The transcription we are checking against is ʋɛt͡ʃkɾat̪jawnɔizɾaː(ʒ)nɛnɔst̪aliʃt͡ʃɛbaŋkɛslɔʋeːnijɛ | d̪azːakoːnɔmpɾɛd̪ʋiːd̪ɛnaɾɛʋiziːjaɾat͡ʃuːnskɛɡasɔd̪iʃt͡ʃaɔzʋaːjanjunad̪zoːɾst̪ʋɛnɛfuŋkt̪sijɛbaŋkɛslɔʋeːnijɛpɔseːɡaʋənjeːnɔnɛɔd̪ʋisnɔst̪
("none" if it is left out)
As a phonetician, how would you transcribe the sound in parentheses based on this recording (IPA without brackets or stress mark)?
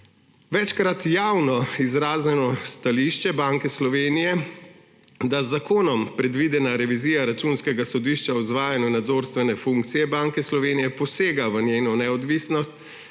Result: z